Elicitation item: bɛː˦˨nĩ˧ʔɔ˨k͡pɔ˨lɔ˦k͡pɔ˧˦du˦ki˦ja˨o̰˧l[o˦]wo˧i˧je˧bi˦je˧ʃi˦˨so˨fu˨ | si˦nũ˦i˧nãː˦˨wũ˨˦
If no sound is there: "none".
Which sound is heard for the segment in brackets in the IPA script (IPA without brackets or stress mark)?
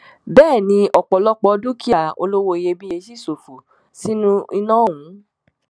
o˦